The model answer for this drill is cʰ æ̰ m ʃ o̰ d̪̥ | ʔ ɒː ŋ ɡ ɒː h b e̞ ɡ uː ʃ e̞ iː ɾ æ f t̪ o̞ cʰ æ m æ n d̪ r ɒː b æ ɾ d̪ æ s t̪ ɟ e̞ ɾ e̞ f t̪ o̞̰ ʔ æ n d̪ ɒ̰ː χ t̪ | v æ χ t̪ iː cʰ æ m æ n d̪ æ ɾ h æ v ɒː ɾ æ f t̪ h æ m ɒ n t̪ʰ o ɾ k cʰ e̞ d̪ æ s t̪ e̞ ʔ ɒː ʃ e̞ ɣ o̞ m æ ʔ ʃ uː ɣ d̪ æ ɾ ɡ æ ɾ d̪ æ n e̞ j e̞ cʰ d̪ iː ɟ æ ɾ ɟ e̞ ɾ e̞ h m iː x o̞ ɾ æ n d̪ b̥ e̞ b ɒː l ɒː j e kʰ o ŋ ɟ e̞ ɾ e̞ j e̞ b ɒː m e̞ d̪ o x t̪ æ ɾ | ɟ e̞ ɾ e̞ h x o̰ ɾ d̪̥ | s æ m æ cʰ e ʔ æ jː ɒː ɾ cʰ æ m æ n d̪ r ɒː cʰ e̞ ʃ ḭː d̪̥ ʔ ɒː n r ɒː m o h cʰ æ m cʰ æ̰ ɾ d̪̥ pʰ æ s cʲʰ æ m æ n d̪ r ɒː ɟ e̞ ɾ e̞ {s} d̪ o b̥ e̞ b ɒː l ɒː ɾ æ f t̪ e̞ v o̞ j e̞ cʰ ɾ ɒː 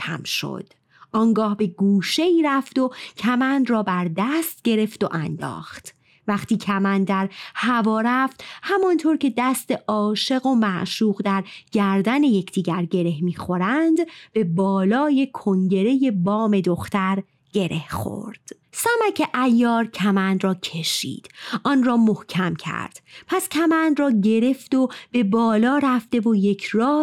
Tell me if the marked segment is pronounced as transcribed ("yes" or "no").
no